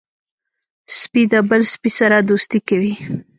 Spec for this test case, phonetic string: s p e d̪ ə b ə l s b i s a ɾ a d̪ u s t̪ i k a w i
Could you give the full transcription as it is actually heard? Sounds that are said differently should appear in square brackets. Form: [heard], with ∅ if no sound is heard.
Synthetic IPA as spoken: s p [i] d̪ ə b ə l s [p] i s a ɾ a d̪ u s t̪ i k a w i

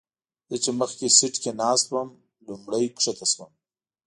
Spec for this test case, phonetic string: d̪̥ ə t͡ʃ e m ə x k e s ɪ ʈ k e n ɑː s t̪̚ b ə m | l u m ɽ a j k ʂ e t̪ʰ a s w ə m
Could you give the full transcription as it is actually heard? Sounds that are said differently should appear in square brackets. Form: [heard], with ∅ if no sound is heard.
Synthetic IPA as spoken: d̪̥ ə t͡ʃ e m ə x k e s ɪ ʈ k e n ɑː s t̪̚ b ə m | l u m ɽ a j k ʂ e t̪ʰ a s w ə m

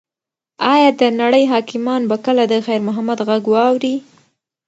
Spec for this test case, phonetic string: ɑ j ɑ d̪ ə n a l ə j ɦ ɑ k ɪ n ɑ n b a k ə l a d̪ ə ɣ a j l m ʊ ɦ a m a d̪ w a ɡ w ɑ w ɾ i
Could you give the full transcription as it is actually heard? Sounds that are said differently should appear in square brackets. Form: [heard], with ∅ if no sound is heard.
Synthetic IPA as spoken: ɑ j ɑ d̪ ə n a [ɽ] ə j ɦ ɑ k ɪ [m] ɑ n b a k ə l a d̪ ə [x] a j [ɾ] m ʊ ɦ a m a d̪ [ɣ] a ɡ w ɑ w ɾ i

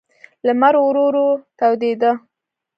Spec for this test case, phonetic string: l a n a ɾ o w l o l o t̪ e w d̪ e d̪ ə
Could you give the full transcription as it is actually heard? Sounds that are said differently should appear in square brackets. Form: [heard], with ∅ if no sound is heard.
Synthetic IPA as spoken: l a [m] a ɾ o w [ɾ] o [ɾ] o t̪ [a] w d̪ e d̪ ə

